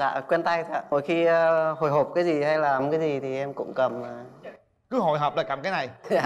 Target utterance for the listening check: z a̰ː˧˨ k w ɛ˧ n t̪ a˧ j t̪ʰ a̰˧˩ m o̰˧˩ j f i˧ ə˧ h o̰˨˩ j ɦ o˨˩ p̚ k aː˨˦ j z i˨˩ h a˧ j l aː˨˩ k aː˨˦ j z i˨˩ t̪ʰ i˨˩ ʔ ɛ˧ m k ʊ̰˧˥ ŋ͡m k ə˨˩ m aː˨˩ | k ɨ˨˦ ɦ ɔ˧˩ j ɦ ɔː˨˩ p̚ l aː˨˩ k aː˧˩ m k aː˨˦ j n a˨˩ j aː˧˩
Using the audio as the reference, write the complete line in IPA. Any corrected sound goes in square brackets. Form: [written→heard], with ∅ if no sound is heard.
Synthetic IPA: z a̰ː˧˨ k w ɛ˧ n t̪ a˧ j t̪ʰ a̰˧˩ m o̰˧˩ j [f→x] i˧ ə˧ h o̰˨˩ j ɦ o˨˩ p̚ k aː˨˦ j z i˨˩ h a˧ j l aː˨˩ k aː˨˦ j z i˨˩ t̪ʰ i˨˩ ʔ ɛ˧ m k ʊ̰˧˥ ŋ͡m k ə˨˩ m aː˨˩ | k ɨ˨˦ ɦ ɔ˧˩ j ɦ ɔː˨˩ p̚ l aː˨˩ k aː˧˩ m k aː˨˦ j n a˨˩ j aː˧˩